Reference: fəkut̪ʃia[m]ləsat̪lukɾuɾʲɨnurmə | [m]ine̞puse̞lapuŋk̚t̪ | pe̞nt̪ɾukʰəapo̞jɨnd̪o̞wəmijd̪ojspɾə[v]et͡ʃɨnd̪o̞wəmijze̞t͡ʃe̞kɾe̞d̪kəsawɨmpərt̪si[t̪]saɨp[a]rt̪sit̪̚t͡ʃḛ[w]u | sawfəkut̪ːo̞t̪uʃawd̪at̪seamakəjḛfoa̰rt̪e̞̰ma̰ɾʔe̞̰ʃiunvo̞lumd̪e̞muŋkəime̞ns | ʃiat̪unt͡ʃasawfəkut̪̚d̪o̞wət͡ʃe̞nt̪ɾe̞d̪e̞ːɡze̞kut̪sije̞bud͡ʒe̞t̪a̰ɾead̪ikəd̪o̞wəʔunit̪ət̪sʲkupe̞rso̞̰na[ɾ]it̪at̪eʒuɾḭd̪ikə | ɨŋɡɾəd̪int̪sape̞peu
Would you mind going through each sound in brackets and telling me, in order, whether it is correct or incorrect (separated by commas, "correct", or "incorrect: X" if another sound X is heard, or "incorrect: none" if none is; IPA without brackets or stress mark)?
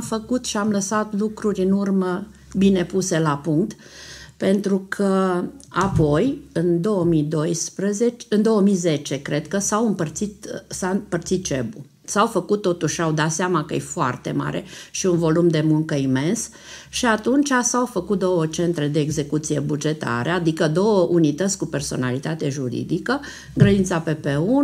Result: correct, incorrect: b, incorrect: z, correct, incorrect: ə, incorrect: b, incorrect: l